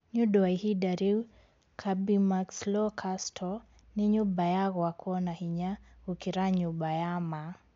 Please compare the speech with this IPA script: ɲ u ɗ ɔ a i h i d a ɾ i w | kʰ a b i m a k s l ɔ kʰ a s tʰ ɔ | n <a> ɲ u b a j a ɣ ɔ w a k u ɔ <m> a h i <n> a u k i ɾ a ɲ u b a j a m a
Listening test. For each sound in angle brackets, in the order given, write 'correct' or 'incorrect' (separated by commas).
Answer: incorrect, incorrect, incorrect